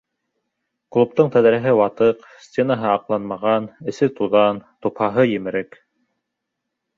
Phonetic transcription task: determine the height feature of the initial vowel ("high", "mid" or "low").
high